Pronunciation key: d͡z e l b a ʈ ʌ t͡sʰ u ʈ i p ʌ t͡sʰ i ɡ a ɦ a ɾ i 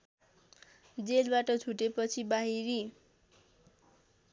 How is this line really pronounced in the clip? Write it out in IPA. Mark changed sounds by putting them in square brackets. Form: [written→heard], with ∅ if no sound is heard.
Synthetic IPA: d͡z e l b a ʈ ʌ t͡sʰ u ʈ [i→e] p ʌ t͡sʰ i [ɡ→b] a ɦ [a→i] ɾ i